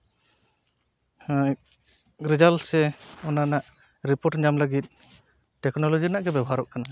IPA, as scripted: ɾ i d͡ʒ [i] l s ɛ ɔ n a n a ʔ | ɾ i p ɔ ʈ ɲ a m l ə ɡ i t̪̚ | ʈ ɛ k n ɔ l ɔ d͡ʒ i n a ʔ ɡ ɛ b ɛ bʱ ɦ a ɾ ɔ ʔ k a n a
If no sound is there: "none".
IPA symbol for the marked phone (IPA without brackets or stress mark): a